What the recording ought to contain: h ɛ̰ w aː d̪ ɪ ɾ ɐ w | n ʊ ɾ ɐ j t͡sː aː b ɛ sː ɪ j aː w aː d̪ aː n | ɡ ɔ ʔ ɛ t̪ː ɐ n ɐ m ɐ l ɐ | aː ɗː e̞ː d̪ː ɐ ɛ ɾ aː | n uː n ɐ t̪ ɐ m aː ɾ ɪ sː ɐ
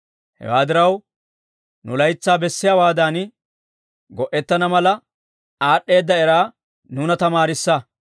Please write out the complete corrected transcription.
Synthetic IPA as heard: h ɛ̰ w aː d̪ ɪ ɾ ɐ w | n ʊ l ɐ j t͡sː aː b ɛ sː ɪ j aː w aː d̪ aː n | ɡ ɔ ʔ ɛ t̪ː ɐ n ɐ m ɐ l ɐ | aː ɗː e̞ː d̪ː ɐ ɛ ɾ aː | n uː n ɐ t̪ ɐ m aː ɾ ɪ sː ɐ